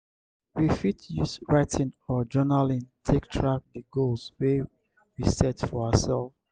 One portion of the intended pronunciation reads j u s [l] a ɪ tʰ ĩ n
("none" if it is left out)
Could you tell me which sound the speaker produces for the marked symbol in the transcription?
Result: ɹ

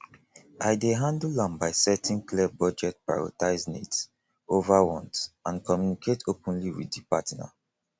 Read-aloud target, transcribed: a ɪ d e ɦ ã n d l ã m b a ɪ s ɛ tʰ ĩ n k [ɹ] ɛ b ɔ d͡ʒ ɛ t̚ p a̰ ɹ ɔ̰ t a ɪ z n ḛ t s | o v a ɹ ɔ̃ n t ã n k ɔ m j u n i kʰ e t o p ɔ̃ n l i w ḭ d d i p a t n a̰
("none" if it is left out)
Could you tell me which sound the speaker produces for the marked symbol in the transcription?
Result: l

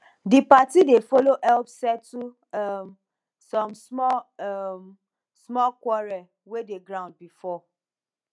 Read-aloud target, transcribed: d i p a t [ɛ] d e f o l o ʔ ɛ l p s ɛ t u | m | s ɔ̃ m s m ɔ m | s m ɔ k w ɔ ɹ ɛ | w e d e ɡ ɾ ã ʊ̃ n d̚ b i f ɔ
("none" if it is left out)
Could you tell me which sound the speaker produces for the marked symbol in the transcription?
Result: i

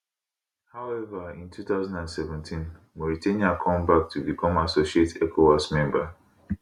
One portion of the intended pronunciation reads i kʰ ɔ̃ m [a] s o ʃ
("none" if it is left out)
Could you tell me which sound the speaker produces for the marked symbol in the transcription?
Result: a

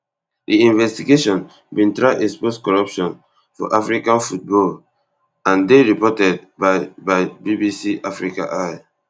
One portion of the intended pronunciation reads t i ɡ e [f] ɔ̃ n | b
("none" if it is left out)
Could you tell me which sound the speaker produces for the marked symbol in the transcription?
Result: ʃ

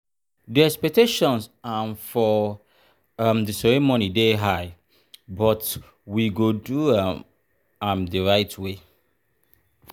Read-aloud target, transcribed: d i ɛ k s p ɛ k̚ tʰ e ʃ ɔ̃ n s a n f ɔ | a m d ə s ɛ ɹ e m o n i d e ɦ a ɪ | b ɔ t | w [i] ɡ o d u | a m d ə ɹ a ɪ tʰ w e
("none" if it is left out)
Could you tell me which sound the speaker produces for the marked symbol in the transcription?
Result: i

